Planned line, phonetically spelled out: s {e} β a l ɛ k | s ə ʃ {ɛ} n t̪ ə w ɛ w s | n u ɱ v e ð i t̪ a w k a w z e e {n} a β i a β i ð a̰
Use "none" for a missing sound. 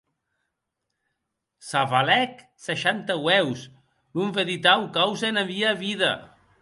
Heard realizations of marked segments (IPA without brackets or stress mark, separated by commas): a, a, n